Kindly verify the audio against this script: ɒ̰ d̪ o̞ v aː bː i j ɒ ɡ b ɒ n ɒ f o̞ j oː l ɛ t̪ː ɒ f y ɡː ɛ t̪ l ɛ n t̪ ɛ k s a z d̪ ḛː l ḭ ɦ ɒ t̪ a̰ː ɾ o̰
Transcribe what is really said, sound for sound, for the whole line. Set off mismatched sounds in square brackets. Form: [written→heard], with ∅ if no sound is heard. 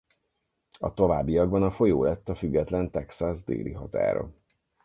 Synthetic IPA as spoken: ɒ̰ [d̪→t̪] o̞ v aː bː i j ɒ ɡ b ɒ n ɒ f o̞ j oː l ɛ t̪ː ɒ f y ɡː ɛ t̪ l ɛ n t̪ ɛ k s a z d̪ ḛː l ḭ ɦ ɒ t̪ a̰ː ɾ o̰